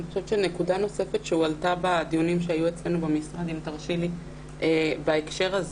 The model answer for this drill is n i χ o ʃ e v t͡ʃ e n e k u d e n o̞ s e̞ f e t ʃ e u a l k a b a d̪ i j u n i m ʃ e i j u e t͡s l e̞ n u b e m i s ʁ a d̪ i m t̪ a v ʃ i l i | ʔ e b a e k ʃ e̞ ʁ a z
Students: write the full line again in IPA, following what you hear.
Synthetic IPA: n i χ o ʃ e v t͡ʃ e n e k u d a n o̞ s e̞ f e t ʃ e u a l t a b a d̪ i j u n i m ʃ e a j u e t͡s l e̞ n u b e m i s ʁ a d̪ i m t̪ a ʁ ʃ i l i | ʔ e b a e k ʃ e̞ ʁ a z